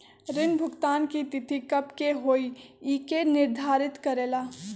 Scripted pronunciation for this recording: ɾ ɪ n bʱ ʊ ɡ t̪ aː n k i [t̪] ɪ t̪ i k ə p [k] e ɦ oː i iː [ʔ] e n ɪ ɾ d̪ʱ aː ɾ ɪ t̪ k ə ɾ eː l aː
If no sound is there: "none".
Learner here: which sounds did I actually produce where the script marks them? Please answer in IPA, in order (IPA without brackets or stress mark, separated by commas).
t̪, k, k